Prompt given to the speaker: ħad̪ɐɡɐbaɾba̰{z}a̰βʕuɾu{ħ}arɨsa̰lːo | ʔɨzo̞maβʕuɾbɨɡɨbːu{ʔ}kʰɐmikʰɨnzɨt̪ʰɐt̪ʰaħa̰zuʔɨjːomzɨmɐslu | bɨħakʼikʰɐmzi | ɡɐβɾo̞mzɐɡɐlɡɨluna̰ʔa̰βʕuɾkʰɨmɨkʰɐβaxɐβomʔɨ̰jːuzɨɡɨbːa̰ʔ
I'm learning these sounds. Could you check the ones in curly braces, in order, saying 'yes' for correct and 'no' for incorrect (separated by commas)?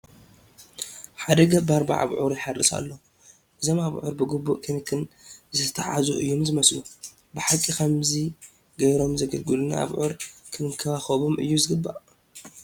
no, yes, yes